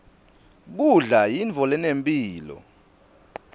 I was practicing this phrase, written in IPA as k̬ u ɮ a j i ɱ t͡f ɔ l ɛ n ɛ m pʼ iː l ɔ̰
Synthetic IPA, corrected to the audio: k̬ u ɮ a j i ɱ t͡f ɔ l ɛ n e m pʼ iː l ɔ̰